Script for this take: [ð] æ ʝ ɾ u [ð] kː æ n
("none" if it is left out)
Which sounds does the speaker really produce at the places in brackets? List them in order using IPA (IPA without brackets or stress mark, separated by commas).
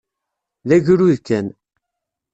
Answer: ð, ð